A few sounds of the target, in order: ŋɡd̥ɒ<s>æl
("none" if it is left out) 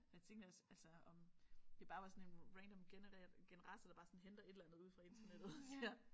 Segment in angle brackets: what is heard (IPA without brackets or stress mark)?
s